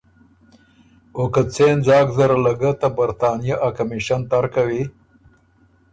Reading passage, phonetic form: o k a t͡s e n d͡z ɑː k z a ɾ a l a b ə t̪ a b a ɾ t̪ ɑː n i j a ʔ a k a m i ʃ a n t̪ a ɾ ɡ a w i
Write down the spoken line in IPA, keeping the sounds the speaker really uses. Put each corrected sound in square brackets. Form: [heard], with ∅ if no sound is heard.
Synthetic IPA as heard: o k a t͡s e n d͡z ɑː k z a ɾ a l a [ɡ] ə t̪ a b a ɾ t̪ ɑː n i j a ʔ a k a m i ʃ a n t̪ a ɾ [k] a w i